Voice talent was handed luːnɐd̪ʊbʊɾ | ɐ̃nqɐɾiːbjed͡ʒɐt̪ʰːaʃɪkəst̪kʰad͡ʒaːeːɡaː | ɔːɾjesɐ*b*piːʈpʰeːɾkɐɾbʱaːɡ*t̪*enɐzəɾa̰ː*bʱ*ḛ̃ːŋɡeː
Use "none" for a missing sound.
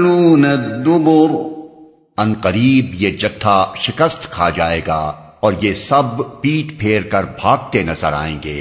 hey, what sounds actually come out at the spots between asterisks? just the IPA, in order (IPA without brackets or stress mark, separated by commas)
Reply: b, t̪, none